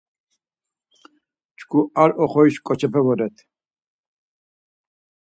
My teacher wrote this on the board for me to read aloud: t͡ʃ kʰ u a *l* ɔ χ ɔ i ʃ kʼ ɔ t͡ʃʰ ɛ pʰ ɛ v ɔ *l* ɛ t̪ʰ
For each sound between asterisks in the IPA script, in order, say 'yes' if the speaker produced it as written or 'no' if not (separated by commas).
no, no